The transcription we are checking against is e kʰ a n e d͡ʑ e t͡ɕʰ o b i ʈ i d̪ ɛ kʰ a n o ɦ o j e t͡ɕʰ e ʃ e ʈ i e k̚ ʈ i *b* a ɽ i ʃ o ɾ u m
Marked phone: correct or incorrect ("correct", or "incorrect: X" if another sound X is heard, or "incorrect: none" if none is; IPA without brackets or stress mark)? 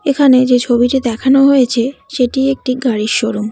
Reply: incorrect: ɡ